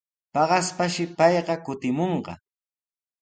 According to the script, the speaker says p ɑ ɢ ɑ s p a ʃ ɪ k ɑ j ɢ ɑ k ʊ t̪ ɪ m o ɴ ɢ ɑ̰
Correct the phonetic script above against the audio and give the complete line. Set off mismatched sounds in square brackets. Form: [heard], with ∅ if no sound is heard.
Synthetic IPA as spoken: p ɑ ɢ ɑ s p a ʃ ɪ [p] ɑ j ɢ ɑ k ʊ t̪ ɪ m o ɴ ɢ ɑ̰